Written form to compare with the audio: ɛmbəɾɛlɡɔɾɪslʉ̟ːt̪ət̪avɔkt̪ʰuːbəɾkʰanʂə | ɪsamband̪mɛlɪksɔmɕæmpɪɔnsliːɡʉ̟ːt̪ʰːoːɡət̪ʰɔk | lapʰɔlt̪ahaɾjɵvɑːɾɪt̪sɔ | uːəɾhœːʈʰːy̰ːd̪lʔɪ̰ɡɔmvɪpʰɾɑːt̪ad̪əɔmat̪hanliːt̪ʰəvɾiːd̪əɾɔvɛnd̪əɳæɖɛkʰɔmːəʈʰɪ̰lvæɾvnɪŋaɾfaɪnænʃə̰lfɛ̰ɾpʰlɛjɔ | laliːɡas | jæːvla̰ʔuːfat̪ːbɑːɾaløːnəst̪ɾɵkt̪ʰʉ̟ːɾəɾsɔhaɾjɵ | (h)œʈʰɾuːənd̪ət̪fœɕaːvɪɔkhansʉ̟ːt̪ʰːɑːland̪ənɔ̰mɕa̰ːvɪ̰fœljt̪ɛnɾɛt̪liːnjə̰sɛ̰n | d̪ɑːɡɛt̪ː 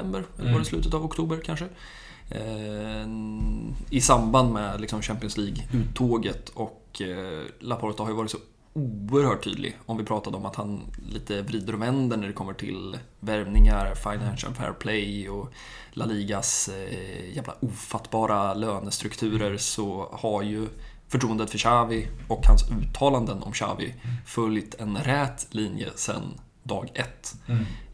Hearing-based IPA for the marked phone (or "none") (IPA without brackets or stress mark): f